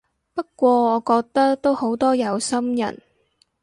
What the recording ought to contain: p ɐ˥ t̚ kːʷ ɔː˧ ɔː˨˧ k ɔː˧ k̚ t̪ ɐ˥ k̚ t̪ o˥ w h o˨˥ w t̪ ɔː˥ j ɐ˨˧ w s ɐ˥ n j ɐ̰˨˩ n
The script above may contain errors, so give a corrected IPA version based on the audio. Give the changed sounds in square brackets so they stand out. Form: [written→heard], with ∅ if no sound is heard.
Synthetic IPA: p ɐ˥ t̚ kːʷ ɔː˧ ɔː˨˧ k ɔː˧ k̚ t̪ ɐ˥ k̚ t̪ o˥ w h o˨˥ w t̪ ɔː˥ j ɐ˨˧ w s ɐ˥ [n→m] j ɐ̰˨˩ n